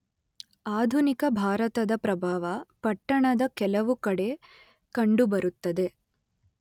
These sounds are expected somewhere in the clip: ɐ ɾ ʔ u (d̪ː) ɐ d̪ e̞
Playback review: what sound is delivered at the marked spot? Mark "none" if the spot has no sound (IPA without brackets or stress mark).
t̪ː